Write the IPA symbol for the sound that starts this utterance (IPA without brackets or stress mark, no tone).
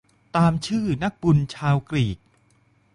t̪